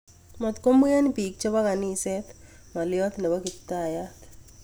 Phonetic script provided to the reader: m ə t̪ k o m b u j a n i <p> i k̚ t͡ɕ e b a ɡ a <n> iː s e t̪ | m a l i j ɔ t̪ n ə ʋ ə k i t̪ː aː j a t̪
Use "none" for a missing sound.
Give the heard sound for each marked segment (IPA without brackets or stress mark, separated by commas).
p, n